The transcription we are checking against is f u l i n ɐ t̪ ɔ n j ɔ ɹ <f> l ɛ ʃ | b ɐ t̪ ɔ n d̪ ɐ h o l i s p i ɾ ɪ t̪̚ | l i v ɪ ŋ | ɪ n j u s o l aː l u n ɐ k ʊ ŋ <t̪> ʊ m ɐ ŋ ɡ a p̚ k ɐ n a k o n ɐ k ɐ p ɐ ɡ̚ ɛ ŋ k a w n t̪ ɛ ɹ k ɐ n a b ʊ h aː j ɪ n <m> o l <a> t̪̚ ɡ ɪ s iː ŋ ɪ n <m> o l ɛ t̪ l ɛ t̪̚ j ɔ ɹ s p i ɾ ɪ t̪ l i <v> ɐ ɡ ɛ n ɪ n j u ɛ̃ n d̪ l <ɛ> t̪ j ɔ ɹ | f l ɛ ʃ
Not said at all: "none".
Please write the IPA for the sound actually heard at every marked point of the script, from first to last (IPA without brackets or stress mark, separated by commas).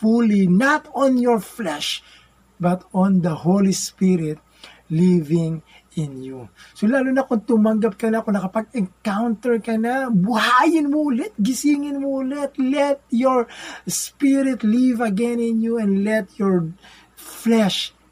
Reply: f, t̪, m, ɛ, m, v, ɛ